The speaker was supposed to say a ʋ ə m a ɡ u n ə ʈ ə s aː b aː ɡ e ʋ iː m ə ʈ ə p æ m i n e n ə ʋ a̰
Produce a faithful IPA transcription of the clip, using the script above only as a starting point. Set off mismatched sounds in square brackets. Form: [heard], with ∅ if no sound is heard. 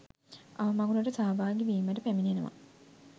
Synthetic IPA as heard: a ʋ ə m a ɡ u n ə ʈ ə s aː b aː ɡ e ʋ iː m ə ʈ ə p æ m i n e n ə ʋ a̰